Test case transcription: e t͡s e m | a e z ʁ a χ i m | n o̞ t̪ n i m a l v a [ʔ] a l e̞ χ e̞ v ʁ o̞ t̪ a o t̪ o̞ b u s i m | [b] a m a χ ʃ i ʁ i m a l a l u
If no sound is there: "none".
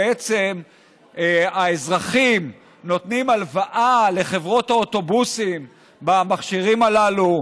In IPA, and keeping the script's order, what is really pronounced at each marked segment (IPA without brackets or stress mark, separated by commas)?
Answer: ʔ, b